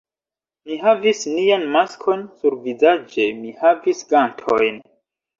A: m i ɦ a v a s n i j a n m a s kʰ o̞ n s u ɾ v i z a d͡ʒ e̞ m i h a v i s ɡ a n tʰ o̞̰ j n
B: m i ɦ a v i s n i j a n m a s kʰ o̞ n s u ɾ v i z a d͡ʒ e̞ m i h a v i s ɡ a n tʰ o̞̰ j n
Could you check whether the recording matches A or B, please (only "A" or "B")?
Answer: B